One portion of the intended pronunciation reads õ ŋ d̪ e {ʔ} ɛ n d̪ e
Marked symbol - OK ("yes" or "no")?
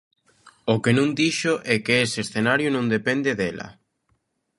no